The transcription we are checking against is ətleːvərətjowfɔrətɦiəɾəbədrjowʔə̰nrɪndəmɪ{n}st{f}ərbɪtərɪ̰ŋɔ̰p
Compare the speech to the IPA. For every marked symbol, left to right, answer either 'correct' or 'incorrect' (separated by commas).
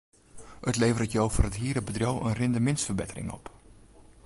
correct, correct